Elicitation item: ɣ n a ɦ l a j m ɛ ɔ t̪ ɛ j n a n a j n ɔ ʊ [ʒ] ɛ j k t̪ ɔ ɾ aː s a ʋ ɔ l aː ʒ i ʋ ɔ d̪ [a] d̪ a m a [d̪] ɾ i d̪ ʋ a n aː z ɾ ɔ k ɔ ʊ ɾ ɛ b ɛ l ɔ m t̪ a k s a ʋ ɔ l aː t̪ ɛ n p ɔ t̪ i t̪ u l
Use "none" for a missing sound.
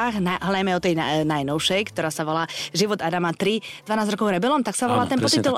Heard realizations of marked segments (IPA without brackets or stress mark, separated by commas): ʃ, a, t̪